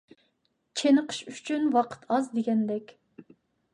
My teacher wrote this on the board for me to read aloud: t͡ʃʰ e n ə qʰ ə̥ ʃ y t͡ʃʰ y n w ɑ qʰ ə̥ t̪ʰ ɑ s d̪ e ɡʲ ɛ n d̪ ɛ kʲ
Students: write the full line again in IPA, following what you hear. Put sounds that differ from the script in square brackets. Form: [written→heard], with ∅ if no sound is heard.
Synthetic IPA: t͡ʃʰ e n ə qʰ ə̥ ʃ y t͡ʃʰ y n w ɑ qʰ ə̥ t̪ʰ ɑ [s→z] d̪ e ɡʲ ɛ n d̪ ɛ kʲ